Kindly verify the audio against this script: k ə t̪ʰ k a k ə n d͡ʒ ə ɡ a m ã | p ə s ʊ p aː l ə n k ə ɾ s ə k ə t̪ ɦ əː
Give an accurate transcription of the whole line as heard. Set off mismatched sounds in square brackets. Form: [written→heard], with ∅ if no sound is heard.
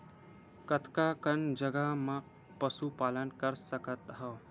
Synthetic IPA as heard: k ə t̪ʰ k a k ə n d͡ʒ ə ɡ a m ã | p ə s [ʊ→u] p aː l ə n k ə ɾ s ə k ə t̪ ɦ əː

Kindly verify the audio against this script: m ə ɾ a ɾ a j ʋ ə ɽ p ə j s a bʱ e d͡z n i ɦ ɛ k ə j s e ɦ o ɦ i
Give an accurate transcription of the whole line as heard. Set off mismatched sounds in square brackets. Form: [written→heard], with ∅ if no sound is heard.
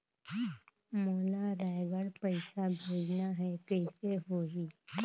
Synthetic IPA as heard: m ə [ɾ→l] a ɾ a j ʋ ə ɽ p ə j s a bʱ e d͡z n [i→a] ɦ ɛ k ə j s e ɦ o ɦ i

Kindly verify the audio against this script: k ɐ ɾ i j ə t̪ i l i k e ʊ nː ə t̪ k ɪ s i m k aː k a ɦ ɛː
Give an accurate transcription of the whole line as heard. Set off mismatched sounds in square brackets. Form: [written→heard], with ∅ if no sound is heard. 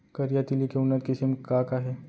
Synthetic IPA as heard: k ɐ ɾ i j [ə→a] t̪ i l i k e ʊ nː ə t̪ k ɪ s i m k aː k a ɦ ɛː

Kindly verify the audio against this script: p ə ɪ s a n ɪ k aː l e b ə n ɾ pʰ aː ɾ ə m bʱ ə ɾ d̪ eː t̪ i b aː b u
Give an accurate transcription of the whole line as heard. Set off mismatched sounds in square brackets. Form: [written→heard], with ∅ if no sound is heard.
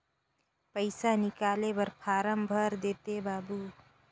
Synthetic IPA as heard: p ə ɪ s a n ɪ k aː l e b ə [n→∅] ɾ pʰ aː ɾ ə m bʱ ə ɾ d̪ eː t̪ [i→e] b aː b u

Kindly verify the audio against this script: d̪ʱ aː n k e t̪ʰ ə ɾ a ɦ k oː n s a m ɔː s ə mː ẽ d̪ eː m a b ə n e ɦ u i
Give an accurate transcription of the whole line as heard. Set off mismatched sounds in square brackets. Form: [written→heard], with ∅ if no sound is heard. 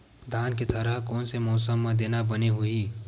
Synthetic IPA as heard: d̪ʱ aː n k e t̪ʰ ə ɾ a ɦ k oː n s [a→e] m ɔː s ə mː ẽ d̪ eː [m→n] a b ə n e ɦ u i

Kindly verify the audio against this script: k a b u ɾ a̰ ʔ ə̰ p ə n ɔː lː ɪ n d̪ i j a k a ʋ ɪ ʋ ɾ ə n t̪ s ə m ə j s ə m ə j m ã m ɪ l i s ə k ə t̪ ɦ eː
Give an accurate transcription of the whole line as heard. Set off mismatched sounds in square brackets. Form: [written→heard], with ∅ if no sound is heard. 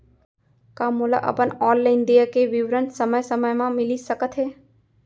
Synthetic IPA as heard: k a [b→m] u [ɾ→l] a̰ ʔ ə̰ p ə n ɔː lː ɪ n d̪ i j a k [a→e] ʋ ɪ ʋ ɾ ə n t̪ s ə m ə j s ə m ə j m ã m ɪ l i s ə k ə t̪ ɦ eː

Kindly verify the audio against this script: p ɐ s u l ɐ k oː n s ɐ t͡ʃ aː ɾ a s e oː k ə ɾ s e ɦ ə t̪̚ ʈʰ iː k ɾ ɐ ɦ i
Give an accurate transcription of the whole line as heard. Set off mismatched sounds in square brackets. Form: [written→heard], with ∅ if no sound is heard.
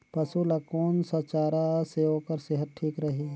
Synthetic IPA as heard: p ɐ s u l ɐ k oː n s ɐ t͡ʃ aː ɾ a s e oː k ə ɾ s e ɦ ə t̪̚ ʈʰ iː k ɾ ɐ ɦ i

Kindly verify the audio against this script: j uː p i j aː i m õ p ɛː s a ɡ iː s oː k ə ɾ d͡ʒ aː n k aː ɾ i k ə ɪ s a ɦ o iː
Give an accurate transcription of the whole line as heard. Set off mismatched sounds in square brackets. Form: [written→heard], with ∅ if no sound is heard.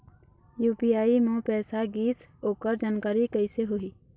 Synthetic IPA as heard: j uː p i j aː i m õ p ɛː s a ɡ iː s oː k ə ɾ d͡ʒ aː n k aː ɾ i k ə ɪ s [a→e] ɦ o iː

